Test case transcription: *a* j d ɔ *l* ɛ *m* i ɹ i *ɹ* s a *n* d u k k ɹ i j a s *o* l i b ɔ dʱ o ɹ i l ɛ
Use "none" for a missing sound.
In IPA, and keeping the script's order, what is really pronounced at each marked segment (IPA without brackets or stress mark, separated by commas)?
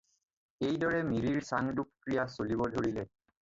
e, ɹ, m, ɹ, ŋ, o